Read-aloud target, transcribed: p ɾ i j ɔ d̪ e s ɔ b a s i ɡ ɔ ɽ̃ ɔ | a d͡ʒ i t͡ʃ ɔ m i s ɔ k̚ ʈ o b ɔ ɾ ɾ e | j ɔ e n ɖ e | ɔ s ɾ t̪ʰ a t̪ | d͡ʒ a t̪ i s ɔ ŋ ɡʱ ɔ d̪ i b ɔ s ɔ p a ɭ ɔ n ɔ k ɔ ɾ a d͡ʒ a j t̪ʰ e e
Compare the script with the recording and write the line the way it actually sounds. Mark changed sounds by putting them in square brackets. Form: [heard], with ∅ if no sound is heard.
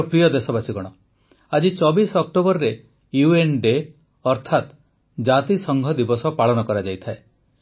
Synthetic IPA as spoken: p ɾ i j ɔ d̪ e s ɔ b a s i ɡ ɔ ɽ̃ ɔ | a d͡ʒ i t͡ʃ ɔ [b] i s ɔ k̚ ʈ o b ɔ ɾ ɾ e | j [u] e n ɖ e | ɔ [∅] ɾ t̪ʰ a t̪ | d͡ʒ a t̪ i s ɔ ŋ ɡʱ ɔ d̪ i b ɔ s ɔ p a ɭ ɔ n ɔ k ɔ ɾ a d͡ʒ a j t̪ʰ [a] e

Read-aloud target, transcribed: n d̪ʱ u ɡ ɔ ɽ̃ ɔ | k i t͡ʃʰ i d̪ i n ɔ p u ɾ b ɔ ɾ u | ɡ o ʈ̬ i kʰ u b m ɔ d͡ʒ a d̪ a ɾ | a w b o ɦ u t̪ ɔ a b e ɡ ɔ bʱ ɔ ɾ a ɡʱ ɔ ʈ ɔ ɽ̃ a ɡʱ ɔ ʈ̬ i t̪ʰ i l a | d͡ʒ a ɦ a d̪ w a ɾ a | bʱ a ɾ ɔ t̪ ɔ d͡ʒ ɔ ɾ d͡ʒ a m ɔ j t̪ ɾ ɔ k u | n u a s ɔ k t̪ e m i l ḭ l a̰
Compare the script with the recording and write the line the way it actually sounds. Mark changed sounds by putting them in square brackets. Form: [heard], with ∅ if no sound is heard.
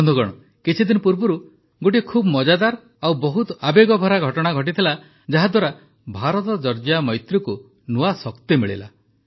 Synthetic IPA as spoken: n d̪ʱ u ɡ ɔ ɽ̃ ɔ | k i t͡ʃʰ i d̪ i n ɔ p u ɾ b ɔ ɾ u | ɡ o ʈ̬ i kʰ u b m ɔ d͡ʒ a d̪ a ɾ | a w b [ɔ] ɦ u t̪ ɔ a b e ɡ ɔ bʱ ɔ ɾ a ɡʱ ɔ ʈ ɔ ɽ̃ a ɡʱ ɔ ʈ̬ i t̪ʰ i l a | d͡ʒ a ɦ a d̪ w a ɾ a | bʱ a ɾ ɔ t̪ ɔ d͡ʒ ɔ ɾ d͡ʒ a m ɔ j t̪ ɾ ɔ k u | n u a s ɔ k t̪ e m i [ɭ] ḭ l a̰

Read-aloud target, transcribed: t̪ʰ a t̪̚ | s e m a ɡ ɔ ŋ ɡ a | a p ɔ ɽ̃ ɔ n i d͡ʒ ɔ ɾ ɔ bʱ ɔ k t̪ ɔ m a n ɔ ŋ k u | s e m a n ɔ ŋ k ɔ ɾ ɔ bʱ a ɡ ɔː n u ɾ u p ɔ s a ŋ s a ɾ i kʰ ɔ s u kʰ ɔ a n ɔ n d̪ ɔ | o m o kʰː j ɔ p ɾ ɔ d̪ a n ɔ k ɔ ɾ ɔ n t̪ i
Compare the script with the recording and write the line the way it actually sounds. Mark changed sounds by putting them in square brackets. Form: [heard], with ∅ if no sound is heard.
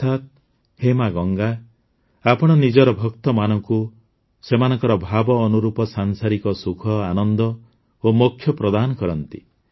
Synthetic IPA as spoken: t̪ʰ a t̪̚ | [h] e m a ɡ ɔ ŋ ɡ a | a p ɔ ɽ̃ ɔ n i d͡ʒ ɔ ɾ ɔ bʱ ɔ k t̪ ɔ m a n ɔ ŋ k u | s e m a n ɔ ŋ k ɔ ɾ ɔ bʱ a [b] ɔː n u ɾ u p ɔ s a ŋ s a ɾ i [k] ɔ s u kʰ ɔ a n ɔ n d̪ ɔ | o m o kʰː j ɔ p ɾ ɔ d̪ a n ɔ k ɔ ɾ ɔ n t̪ i

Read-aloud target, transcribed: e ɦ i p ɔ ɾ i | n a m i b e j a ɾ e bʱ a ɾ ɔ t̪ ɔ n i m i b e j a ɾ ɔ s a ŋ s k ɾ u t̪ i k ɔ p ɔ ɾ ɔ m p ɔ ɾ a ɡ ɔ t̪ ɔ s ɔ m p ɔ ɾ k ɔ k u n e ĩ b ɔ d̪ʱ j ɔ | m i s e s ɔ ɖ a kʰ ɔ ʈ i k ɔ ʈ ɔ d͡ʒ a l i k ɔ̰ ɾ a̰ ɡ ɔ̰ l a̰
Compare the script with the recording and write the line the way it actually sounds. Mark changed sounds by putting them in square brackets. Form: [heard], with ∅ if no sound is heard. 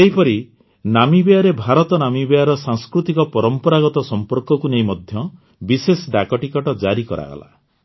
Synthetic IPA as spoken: e ɦ i p ɔ ɾ i | n a m i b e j a ɾ e bʱ a ɾ ɔ t̪ ɔ n [a] m i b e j a ɾ ɔ s a ŋ s k ɾ u t̪ i k ɔ p ɔ ɾ ɔ m p ɔ ɾ a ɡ ɔ t̪ ɔ s ɔ m p ɔ ɾ k ɔ k u n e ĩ [m] ɔ d̪ʱ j ɔ | [b] i s e s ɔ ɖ a [k] ɔ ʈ i k ɔ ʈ ɔ d͡ʒ a [ɾ] i k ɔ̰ ɾ a̰ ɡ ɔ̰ l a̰

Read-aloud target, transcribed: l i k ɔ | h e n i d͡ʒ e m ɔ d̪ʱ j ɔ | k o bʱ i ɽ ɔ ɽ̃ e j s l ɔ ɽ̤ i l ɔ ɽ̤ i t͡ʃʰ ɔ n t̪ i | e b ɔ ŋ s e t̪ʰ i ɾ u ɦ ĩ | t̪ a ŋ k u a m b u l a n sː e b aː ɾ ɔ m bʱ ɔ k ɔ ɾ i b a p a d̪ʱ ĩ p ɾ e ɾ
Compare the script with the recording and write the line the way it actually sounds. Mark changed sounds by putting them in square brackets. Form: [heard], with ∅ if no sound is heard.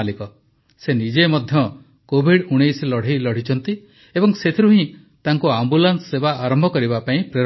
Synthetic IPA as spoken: l i k ɔ | [s] e n i d͡ʒ e m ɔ d̪ʱ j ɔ | k o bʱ i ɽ [u] ɽ̃ e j s l ɔ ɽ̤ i l ɔ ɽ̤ i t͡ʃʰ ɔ n t̪ i | e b ɔ ŋ s e t̪ʰ i ɾ u ɦ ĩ | t̪ a ŋ k u a m b u l a n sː e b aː ɾ ɔ m bʱ ɔ k ɔ ɾ i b a p a [∅] ĩ p ɾ e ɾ

